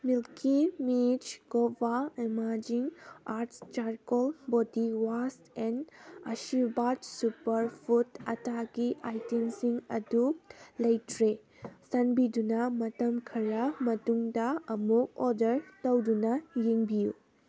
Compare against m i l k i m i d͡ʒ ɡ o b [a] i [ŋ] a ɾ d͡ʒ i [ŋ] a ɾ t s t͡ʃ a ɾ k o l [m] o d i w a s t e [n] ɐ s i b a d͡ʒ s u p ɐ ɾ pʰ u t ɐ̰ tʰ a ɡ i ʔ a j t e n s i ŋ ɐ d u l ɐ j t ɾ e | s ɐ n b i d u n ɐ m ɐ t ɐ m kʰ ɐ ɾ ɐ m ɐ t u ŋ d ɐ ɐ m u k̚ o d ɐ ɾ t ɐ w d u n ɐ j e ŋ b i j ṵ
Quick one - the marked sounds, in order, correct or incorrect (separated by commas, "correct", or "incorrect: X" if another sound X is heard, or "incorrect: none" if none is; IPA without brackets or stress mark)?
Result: correct, incorrect: m, correct, incorrect: b, correct